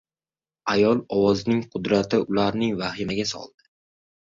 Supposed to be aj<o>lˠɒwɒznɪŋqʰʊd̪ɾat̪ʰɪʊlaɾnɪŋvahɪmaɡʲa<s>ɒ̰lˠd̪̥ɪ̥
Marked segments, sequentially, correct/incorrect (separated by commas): incorrect, correct